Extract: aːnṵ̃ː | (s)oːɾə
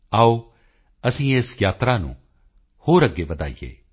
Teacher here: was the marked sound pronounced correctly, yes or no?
no